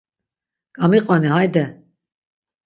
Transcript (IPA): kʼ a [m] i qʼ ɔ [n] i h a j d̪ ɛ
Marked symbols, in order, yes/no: yes, yes

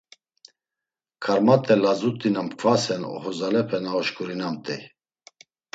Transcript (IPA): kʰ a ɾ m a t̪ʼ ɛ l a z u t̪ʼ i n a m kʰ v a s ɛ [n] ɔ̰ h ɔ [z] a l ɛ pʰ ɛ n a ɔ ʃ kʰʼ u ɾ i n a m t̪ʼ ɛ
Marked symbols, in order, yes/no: yes, yes

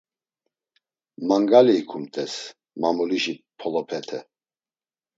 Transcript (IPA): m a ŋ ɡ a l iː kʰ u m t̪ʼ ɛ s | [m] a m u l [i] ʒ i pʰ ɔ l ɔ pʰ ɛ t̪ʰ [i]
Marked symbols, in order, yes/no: yes, yes, no

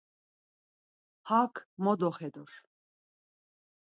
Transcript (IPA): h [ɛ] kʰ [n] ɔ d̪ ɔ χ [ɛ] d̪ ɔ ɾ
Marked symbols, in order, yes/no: no, no, yes

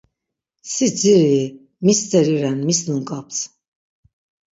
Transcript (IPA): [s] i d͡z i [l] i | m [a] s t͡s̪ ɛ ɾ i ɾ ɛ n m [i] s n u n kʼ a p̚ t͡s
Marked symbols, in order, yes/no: yes, no, no, yes

